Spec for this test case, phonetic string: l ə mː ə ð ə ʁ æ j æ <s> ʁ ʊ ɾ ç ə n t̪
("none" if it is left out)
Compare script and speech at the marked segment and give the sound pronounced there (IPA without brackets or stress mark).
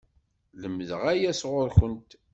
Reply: s